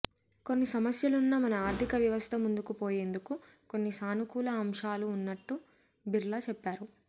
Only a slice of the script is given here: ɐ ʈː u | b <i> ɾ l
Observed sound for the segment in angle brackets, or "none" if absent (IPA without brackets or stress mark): i